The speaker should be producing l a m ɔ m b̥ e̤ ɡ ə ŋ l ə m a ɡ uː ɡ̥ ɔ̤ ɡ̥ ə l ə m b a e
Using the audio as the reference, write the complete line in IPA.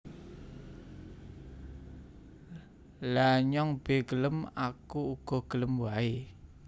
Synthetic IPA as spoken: l a ɲ ɔ ŋ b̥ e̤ ɡ ə l ə m a k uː ɡ̥ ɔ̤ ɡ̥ ə l ə m w a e